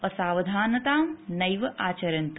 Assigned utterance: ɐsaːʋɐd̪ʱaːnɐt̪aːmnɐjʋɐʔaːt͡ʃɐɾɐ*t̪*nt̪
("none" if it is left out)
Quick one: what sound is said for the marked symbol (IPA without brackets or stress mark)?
none